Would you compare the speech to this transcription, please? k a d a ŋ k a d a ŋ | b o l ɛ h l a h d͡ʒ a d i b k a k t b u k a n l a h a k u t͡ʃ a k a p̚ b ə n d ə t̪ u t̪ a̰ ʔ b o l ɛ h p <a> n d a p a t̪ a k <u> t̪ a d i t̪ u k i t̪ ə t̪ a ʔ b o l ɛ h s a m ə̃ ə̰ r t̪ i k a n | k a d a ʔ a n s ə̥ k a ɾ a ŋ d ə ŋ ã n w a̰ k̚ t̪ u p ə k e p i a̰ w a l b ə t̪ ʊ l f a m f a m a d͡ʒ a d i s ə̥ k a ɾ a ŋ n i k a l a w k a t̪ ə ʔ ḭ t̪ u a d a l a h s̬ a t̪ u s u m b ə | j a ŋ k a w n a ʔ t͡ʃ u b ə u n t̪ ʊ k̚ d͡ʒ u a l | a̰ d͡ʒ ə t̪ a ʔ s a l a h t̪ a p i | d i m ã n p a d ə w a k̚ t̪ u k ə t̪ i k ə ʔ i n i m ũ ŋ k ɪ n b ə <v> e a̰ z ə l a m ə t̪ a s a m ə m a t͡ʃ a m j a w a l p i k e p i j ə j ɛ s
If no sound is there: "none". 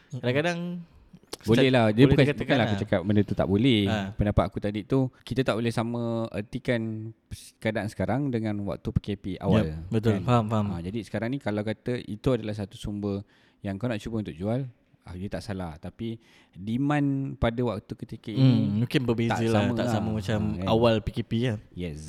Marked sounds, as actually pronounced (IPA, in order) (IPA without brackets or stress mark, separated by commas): ə, u, b